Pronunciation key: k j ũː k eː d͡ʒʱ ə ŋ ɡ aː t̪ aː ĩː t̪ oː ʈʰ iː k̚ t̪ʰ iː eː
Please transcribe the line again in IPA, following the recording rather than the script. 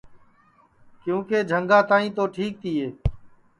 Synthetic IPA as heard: k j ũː k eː d͡ʒʱ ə ŋ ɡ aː t̪ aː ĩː t̪ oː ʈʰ iː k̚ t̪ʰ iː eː